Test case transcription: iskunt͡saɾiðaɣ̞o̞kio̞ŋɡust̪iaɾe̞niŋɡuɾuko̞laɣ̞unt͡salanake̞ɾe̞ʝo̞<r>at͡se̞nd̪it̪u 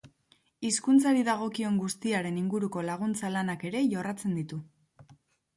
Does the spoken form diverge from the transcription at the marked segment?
no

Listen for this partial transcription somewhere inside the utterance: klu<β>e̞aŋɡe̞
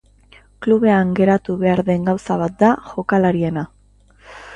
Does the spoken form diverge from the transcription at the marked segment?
no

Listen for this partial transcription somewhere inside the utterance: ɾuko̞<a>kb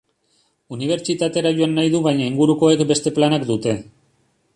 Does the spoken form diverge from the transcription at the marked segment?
yes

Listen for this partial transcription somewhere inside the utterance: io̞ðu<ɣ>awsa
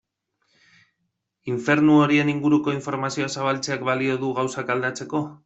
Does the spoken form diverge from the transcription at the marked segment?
no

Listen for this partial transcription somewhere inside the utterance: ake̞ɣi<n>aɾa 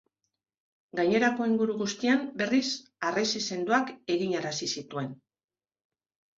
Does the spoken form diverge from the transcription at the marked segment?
yes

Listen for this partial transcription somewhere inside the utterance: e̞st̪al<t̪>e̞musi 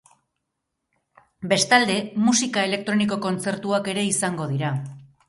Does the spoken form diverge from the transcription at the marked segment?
yes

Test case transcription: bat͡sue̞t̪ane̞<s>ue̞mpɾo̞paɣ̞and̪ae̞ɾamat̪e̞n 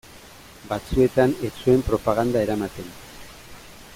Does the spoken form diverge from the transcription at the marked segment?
yes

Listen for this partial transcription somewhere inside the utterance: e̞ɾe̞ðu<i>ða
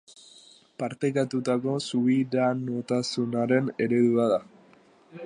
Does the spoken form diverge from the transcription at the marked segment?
yes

